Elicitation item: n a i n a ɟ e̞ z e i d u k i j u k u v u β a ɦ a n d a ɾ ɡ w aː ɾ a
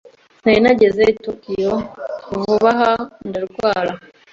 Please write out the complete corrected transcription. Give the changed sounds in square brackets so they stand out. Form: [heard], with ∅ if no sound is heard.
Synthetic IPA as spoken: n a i n a ɟ e̞ z e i [t] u k i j [o] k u v u β a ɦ a n d a ɾ ɡ w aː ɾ a